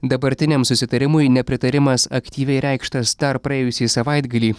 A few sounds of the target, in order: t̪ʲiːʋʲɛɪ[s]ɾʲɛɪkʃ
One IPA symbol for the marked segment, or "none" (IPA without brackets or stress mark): none